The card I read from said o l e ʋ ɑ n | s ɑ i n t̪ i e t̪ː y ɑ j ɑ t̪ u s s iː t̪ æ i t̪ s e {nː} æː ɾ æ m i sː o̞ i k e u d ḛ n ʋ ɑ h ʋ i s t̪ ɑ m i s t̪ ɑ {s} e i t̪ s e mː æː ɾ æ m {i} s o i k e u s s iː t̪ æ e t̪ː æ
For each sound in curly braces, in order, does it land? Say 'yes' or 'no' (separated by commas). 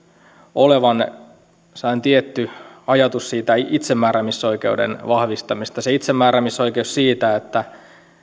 no, yes, yes